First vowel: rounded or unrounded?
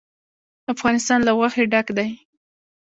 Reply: unrounded